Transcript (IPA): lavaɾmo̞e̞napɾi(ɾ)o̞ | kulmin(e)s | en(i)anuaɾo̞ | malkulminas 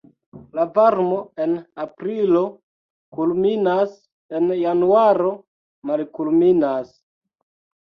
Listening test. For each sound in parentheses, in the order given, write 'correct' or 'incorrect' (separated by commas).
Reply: incorrect, incorrect, incorrect